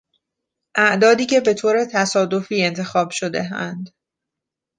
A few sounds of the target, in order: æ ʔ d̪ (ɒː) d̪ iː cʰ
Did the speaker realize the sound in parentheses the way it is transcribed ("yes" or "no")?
yes